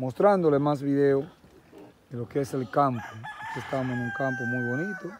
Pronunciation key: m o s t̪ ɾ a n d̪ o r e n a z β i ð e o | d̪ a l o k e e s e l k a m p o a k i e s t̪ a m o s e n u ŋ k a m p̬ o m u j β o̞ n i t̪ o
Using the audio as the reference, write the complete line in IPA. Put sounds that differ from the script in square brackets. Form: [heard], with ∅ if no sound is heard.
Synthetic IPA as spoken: m o s t̪ ɾ a n d̪ o [l] e [m] a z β i ð e o | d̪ [e] l o k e e s e l k a m p o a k i e s t̪ a m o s e n u ŋ k a m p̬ o m u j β o̞ n i t̪ o